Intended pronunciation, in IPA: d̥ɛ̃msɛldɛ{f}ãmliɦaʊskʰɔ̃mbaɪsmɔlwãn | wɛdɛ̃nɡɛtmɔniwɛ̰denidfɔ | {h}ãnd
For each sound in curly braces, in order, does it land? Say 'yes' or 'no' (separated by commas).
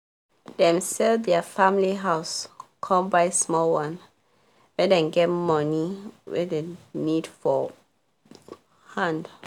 yes, yes